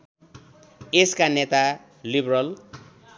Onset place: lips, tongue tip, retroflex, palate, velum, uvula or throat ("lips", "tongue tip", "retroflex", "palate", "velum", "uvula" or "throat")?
tongue tip